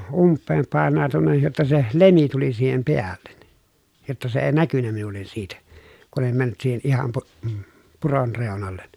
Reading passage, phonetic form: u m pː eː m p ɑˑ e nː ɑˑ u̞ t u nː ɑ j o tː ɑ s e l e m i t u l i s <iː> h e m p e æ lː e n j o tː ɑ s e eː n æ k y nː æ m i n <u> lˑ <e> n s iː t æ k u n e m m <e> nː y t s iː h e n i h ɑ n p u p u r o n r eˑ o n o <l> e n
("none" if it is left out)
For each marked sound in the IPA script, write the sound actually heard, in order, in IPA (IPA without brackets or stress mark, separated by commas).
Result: iː, u, e, æ, lː